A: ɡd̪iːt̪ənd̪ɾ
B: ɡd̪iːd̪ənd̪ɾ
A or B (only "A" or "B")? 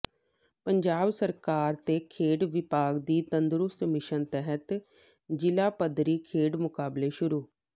A